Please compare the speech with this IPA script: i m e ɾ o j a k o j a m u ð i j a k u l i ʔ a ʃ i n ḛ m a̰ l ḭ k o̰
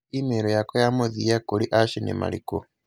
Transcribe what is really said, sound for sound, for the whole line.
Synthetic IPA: i m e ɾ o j a k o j a m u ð i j a k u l i ʔ a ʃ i n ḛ m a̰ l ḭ k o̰